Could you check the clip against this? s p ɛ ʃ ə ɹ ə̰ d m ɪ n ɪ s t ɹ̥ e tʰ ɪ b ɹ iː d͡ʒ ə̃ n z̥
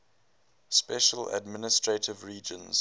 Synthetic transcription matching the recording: s p ɛ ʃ ə l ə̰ d m ɪ n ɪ s t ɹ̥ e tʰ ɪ v ɹ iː d͡ʒ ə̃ n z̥